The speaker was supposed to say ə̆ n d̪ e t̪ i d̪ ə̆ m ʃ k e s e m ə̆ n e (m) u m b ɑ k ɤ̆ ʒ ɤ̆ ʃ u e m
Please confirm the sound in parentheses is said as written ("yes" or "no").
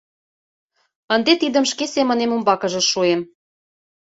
yes